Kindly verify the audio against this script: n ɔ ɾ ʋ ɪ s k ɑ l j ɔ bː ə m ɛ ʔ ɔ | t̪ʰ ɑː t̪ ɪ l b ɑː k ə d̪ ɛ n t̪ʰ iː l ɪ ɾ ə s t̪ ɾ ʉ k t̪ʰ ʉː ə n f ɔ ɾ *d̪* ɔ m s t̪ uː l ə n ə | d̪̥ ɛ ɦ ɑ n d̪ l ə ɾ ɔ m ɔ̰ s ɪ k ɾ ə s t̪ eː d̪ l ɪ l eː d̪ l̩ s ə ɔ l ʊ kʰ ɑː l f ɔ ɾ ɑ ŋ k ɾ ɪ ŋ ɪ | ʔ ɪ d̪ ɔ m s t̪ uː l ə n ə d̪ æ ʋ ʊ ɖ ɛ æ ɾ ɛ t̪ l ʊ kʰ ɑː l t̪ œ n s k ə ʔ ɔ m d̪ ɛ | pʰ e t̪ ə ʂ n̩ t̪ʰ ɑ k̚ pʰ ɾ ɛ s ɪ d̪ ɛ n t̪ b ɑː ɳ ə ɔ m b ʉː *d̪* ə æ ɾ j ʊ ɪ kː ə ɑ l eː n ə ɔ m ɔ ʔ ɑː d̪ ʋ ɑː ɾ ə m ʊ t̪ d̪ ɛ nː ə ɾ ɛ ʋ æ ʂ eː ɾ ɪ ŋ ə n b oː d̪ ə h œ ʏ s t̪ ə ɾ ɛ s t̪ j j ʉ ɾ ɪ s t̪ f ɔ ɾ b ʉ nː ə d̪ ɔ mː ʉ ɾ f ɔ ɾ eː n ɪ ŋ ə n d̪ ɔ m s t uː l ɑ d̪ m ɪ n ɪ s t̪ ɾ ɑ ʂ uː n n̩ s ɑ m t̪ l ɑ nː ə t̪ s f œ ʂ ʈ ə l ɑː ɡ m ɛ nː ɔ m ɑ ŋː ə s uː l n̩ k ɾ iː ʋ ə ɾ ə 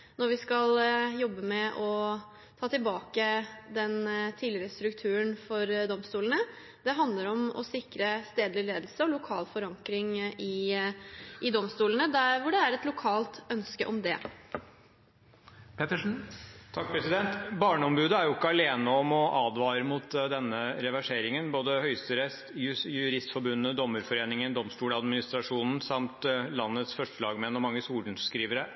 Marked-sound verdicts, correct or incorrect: correct, correct

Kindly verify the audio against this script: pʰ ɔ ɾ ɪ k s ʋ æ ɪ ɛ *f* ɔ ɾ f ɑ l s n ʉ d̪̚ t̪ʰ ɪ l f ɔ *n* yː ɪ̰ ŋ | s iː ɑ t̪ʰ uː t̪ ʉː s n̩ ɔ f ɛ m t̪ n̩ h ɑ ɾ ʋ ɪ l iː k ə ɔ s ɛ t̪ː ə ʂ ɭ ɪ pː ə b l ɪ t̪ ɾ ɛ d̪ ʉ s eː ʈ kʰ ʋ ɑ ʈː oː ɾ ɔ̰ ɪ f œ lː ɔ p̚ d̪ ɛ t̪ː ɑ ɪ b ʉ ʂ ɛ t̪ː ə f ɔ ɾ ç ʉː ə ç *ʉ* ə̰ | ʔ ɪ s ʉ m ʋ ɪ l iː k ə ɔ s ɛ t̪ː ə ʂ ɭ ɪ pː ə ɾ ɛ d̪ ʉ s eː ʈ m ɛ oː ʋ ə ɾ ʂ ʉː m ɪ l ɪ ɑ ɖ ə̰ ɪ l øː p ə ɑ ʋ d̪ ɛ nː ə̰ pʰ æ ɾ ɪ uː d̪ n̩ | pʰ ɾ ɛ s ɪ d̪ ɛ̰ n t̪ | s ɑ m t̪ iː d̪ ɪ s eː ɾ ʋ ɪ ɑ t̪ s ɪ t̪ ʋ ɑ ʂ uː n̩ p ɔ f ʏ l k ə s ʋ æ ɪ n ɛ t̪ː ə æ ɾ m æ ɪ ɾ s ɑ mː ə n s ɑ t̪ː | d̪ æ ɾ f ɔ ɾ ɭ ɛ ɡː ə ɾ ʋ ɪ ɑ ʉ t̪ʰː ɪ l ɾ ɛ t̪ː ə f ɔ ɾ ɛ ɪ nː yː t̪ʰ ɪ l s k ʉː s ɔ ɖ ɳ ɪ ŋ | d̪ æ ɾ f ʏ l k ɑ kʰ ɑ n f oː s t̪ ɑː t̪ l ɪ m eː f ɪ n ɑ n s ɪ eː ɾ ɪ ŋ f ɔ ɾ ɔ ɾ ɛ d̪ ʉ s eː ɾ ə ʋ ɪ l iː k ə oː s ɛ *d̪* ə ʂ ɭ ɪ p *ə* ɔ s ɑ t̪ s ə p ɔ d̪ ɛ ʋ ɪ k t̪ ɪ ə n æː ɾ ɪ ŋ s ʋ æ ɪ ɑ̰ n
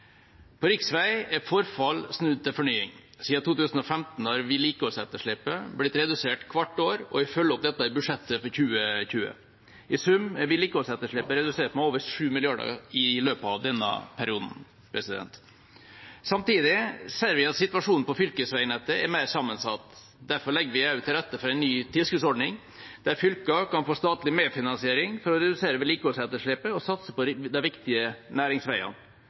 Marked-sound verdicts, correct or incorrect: correct, incorrect, incorrect, incorrect, correct

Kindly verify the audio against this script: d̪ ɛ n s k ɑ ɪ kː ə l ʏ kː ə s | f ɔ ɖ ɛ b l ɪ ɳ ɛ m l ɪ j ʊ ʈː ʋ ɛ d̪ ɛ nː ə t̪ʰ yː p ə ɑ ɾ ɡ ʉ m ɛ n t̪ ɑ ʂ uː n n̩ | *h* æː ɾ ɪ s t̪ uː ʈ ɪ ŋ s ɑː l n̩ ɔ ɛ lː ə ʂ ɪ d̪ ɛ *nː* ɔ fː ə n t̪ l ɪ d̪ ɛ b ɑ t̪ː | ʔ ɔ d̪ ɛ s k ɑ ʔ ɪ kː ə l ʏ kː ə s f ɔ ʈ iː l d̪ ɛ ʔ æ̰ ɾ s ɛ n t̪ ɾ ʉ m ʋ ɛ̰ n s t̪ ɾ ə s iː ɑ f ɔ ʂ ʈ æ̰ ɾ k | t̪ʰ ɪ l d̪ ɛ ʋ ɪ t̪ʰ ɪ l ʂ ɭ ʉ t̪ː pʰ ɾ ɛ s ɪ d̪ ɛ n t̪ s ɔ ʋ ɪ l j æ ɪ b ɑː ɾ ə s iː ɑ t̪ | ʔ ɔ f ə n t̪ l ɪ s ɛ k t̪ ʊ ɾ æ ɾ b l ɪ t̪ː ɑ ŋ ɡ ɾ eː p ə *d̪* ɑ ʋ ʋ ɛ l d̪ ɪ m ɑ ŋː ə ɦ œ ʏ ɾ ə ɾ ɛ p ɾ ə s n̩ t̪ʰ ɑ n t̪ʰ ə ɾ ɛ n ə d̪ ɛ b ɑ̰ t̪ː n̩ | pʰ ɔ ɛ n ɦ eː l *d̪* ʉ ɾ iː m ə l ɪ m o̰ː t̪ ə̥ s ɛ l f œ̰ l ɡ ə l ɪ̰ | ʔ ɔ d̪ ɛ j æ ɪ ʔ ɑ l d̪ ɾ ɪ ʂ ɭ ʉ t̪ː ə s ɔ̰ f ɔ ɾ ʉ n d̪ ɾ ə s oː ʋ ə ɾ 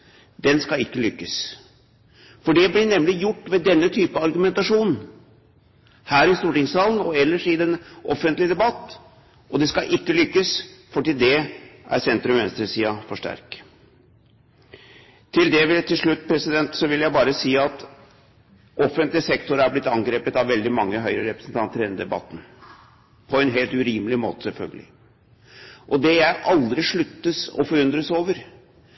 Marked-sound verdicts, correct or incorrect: correct, incorrect, incorrect, incorrect

